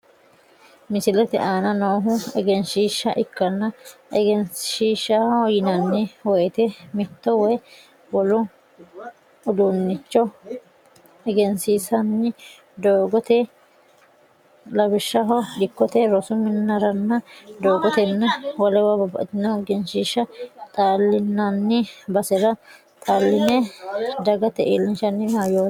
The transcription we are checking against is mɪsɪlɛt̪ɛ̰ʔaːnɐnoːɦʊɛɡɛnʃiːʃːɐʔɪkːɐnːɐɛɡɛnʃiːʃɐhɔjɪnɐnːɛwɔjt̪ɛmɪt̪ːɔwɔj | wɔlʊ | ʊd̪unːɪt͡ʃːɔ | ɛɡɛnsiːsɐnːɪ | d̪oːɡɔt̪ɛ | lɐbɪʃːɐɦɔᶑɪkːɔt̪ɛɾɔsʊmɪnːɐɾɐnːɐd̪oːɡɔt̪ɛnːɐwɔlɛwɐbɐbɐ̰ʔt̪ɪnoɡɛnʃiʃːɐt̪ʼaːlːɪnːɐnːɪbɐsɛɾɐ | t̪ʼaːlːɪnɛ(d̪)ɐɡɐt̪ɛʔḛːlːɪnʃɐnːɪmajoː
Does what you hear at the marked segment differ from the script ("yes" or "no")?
no